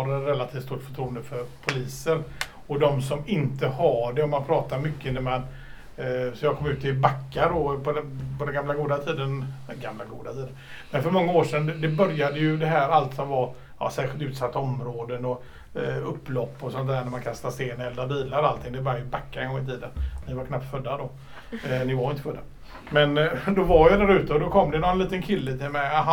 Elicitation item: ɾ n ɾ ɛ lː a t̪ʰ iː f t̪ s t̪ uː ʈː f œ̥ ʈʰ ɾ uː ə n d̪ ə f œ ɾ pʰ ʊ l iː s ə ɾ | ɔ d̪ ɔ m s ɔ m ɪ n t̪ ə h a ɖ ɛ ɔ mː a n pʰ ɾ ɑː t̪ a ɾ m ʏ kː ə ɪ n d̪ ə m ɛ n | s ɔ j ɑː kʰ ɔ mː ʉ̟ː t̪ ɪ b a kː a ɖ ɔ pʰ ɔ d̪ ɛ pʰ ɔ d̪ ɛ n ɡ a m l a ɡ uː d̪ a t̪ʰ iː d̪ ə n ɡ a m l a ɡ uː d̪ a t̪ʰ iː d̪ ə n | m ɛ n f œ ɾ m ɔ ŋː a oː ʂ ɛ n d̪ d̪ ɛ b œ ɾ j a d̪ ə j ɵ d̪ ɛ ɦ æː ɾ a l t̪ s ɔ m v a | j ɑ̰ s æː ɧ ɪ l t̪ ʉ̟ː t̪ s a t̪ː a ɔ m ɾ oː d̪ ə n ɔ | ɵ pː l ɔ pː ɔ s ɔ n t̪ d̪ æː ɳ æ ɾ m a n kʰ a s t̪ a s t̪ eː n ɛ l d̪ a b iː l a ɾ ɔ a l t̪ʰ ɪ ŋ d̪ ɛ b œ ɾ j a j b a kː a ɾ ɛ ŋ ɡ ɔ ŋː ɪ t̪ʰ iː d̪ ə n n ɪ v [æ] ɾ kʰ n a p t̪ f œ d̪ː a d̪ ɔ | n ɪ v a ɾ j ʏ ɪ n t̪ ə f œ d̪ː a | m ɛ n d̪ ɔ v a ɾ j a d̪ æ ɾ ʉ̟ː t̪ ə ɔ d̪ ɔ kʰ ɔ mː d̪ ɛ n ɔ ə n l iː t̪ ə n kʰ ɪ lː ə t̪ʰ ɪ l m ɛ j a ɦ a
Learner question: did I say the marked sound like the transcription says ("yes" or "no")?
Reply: no